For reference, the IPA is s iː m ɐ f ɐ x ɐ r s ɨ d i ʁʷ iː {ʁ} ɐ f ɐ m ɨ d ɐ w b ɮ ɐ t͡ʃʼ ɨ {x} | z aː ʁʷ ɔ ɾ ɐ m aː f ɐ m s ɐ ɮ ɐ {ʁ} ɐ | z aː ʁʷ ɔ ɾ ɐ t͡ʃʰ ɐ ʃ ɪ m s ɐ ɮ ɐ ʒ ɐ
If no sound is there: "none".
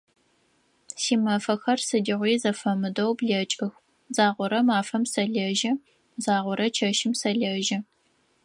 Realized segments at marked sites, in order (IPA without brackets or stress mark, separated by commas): z, x, ʒ